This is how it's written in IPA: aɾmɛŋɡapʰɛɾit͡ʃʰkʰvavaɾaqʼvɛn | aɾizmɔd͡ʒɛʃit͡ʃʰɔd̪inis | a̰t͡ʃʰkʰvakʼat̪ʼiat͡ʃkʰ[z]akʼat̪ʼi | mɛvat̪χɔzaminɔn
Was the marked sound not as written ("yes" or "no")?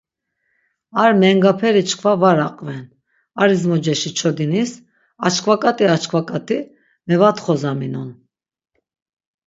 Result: yes